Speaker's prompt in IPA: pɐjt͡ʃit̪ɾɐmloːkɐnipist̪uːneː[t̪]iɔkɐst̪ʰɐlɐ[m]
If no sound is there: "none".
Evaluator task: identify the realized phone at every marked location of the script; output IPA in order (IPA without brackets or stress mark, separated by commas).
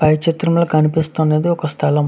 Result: d̪, m